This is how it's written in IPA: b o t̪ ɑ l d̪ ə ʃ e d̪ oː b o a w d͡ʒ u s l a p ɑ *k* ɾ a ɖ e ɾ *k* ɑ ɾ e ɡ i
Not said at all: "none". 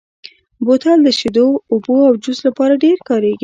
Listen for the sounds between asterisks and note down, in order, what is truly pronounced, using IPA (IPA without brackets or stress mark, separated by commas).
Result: none, k